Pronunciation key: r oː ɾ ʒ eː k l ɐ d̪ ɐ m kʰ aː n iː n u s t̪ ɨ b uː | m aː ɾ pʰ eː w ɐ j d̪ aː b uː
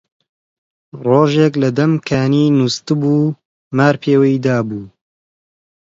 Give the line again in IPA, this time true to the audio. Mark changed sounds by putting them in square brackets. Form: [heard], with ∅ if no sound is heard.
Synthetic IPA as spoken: r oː [∅] ʒ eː k l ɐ d̪ ɐ m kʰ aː n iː n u s t̪ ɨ b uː | m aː ɾ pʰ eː w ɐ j d̪ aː b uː